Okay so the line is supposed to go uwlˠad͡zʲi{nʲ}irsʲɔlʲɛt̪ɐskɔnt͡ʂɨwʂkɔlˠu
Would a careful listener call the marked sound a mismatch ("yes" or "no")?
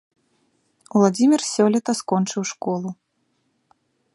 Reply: yes